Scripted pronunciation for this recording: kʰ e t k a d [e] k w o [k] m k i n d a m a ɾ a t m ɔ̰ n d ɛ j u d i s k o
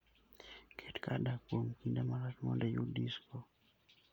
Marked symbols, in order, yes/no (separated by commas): no, no